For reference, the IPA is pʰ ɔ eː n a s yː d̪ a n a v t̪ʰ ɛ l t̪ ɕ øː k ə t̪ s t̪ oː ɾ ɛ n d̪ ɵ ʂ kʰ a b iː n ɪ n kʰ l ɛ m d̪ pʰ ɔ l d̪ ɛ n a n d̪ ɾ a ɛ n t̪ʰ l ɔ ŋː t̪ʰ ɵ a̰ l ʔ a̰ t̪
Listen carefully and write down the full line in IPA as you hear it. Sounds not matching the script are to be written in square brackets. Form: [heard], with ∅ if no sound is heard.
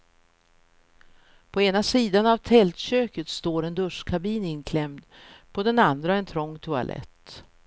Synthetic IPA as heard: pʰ ɔ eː n a s [iː] d̪ a n a v t̪ʰ ɛ l t̪ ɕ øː k ə t̪ s t̪ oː ɾ ɛ n d̪ ɵ ʂ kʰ a b iː n ɪ n kʰ l ɛ m d̪ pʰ ɔ [∅] d̪ ɛ n a n d̪ ɾ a ɛ n t̪ʰ [ɾ] ɔ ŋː t̪ʰ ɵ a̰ l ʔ [ɛ̰] t̪